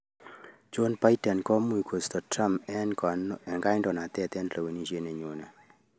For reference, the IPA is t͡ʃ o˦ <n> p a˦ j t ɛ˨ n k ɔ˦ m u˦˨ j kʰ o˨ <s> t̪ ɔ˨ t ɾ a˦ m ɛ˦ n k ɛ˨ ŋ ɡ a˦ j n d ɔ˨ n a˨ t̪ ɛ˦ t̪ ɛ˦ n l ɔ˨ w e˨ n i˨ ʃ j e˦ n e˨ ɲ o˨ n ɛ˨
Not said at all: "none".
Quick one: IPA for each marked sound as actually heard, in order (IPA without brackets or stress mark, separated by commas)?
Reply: n, s